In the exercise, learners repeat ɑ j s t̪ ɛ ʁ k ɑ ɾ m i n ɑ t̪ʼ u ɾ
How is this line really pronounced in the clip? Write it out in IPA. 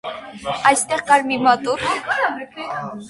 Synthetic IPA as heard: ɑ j s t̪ ɛ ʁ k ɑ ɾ m i m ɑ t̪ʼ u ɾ